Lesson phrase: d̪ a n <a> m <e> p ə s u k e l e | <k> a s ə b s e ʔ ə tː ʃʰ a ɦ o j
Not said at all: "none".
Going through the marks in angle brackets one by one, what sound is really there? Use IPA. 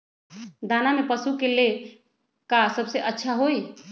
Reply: a, e, k

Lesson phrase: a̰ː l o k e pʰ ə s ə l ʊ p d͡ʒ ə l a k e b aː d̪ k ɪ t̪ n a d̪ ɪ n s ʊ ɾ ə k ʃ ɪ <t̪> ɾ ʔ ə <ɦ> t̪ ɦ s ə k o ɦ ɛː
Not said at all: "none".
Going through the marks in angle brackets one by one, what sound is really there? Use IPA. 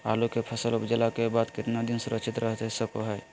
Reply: t̪, ɦ

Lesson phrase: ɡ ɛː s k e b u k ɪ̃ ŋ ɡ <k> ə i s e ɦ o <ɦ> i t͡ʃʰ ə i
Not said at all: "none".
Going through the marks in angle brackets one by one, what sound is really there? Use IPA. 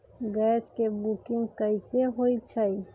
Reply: k, none

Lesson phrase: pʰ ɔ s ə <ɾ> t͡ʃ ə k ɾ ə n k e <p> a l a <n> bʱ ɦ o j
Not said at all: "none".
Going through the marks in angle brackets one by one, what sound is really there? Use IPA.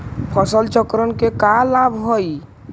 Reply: l, k, none

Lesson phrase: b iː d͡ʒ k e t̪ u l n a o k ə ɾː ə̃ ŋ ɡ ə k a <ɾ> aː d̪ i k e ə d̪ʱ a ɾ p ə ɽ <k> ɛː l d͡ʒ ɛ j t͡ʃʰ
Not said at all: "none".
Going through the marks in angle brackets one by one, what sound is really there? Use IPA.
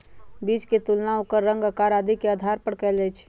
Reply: ɾ, k

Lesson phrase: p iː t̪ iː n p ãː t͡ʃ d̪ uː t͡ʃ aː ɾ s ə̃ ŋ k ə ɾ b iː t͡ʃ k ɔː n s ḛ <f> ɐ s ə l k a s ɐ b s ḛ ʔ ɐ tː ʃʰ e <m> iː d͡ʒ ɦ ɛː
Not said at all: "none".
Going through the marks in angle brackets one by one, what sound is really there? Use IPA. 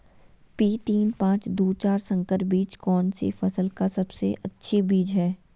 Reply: f, b

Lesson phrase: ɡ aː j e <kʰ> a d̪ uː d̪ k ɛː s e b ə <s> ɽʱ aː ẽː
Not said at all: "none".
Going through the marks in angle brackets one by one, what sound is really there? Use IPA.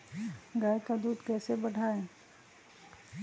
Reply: k, none

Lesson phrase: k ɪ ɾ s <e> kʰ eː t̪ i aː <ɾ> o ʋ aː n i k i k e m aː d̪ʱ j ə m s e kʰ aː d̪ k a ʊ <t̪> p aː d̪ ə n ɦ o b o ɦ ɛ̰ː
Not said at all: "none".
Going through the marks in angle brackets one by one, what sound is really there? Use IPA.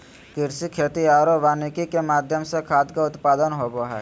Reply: i, ɾ, t̪

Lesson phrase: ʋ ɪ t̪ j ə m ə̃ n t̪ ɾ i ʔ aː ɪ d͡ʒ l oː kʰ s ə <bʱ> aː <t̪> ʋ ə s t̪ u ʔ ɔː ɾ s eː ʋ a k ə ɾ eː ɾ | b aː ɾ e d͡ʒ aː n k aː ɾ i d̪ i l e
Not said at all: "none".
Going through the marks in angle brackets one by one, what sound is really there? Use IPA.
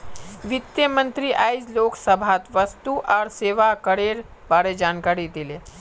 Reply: bʱ, t̪

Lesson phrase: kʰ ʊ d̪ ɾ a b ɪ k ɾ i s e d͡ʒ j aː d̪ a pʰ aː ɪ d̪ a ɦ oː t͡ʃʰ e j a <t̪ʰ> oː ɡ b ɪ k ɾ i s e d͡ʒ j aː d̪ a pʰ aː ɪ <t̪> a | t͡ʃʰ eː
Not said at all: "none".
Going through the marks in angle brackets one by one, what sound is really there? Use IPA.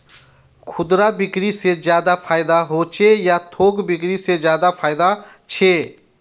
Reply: t̪ʰ, d̪

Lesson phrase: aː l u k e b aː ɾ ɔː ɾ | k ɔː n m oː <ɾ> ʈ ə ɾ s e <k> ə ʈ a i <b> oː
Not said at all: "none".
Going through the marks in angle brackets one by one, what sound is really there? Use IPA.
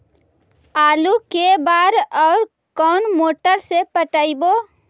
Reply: none, p, b

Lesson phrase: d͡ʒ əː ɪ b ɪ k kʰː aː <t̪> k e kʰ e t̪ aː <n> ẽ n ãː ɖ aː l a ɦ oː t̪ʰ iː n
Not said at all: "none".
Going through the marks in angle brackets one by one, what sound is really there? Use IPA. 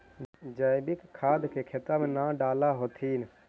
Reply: d̪, m

